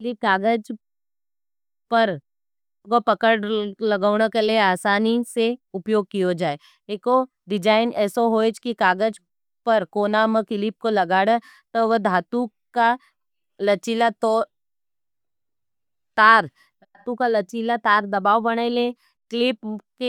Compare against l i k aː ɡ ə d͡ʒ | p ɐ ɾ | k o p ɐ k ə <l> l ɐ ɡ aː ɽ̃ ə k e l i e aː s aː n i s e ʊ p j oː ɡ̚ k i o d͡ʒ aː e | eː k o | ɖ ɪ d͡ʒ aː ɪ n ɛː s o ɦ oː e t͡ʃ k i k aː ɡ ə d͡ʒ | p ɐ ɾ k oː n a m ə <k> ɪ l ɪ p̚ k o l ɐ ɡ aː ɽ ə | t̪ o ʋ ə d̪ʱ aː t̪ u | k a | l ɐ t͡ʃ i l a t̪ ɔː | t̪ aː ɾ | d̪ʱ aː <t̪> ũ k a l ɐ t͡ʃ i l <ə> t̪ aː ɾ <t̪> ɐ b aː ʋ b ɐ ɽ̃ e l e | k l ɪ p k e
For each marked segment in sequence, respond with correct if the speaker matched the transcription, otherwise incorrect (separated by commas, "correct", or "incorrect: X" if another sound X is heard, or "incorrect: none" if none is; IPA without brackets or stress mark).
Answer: incorrect: ɽ, correct, correct, incorrect: a, incorrect: d̪